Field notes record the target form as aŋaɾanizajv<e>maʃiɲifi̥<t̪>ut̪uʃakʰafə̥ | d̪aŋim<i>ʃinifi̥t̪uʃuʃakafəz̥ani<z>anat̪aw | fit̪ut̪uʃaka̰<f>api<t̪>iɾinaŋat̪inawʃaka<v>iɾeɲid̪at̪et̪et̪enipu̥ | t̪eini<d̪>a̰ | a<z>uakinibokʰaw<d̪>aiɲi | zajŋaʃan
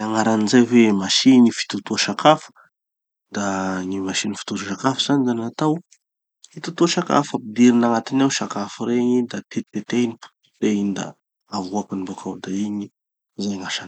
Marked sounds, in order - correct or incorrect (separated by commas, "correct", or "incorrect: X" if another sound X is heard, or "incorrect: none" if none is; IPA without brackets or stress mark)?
correct, correct, incorrect: a, correct, correct, incorrect: d̪, incorrect: f, correct, incorrect: v, correct